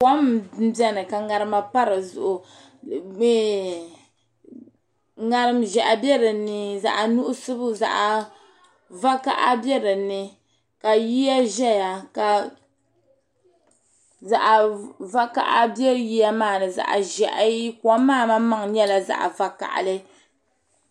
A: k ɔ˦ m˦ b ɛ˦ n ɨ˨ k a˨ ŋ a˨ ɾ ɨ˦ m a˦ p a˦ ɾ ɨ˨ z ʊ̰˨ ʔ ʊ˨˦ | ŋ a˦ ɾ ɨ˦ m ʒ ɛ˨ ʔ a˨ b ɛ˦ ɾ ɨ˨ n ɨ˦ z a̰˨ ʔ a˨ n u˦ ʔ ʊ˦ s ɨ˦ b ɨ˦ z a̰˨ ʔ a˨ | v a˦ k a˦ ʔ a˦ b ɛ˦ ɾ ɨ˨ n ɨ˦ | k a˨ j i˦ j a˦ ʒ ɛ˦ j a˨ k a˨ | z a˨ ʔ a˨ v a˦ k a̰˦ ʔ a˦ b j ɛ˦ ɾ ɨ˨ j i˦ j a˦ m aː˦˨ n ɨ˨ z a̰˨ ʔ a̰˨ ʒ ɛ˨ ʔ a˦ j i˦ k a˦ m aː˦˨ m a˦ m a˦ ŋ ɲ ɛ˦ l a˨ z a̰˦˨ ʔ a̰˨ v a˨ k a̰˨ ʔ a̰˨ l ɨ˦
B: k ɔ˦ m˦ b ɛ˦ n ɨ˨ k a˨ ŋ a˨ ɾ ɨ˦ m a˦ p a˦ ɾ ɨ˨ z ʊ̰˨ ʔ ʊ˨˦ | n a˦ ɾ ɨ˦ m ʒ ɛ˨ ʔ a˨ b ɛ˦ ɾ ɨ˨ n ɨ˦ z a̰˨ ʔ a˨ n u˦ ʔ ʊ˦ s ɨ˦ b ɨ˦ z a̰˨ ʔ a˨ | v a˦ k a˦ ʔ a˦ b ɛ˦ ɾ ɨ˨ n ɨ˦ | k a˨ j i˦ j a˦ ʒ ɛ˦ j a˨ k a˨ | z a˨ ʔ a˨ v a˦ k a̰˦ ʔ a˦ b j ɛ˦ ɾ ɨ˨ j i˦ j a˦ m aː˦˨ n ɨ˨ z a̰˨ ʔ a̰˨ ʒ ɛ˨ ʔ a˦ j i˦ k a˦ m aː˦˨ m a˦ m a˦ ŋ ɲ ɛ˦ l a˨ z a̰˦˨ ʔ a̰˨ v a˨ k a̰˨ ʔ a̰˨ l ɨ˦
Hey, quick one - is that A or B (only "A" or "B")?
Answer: A